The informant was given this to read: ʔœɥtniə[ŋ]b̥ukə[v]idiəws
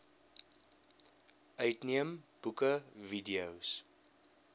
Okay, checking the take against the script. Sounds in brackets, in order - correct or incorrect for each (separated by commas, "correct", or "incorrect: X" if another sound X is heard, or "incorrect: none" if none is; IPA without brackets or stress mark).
incorrect: m, correct